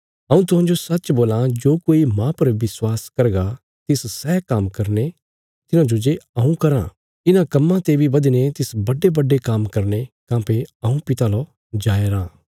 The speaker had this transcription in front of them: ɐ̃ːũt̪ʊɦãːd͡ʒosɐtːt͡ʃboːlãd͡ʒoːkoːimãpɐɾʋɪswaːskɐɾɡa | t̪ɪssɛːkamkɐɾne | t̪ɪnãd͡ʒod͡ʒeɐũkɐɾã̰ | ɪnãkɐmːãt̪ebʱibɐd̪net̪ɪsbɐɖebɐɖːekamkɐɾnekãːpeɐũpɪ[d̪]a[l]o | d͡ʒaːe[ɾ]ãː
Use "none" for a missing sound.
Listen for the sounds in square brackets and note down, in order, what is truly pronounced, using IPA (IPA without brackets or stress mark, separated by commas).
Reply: t̪, l, ɾ